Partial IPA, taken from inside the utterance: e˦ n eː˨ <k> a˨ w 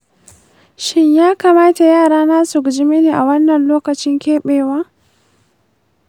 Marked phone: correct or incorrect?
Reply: incorrect